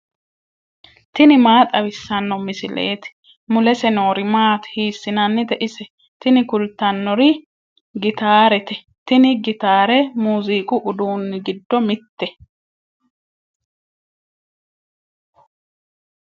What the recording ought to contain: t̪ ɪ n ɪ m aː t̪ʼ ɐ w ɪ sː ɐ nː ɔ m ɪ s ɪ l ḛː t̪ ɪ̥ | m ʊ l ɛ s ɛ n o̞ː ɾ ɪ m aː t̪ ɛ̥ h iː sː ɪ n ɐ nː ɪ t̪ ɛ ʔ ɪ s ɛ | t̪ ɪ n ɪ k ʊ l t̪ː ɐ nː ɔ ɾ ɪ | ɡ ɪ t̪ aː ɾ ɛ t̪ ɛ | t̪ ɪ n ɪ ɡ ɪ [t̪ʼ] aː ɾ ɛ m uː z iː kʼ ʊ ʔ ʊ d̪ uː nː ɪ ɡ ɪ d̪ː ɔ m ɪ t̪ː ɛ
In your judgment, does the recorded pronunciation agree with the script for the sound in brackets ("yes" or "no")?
no